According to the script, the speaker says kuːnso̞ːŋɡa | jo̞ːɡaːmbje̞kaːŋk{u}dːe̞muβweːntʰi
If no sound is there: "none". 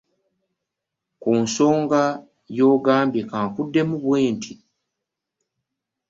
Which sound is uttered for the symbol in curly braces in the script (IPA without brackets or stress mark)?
u